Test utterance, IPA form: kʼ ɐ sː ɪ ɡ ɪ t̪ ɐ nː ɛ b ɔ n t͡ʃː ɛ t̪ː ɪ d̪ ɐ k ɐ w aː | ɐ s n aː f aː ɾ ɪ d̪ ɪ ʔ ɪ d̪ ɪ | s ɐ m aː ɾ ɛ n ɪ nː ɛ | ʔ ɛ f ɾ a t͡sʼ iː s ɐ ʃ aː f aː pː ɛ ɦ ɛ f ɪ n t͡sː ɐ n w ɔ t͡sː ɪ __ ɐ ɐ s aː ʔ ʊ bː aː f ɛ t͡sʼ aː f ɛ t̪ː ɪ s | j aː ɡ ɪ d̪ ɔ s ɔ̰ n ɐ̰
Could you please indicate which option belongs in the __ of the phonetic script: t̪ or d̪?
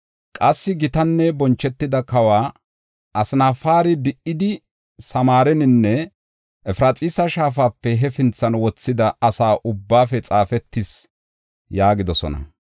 d̪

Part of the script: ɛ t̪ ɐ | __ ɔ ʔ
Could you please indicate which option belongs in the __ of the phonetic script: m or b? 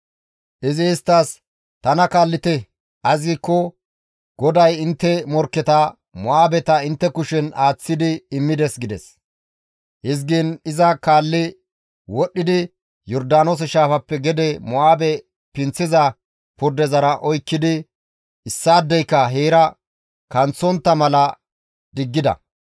m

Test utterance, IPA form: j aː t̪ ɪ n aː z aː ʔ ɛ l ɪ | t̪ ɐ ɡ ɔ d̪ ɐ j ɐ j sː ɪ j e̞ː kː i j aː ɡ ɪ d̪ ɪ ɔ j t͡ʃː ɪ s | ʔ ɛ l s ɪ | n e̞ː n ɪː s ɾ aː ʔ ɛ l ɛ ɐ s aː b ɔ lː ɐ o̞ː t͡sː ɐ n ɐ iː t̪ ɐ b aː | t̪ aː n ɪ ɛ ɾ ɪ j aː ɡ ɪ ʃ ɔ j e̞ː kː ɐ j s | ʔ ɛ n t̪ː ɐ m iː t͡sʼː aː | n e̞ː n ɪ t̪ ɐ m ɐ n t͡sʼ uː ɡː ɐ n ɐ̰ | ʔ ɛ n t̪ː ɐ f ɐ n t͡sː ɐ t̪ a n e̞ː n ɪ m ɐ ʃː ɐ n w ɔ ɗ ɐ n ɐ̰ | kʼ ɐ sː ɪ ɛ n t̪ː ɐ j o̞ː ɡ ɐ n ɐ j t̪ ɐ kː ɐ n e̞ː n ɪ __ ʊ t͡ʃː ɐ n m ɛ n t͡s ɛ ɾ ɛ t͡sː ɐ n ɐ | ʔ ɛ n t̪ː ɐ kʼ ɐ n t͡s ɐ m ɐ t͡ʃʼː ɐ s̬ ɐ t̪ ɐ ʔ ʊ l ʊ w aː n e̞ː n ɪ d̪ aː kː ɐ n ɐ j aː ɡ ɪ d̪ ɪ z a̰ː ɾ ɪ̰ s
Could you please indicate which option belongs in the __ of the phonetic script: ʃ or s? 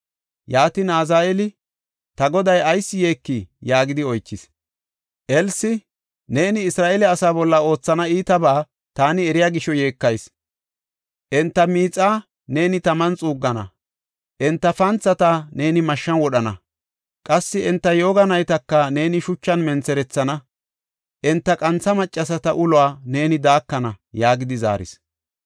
ʃ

